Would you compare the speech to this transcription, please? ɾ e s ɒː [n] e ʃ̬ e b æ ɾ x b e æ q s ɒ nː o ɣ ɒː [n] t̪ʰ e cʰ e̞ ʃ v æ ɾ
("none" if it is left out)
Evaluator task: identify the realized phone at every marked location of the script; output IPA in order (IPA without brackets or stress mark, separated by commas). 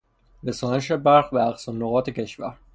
n, none